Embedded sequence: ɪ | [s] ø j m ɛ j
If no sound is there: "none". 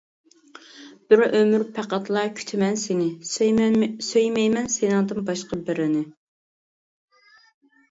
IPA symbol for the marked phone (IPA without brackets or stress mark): s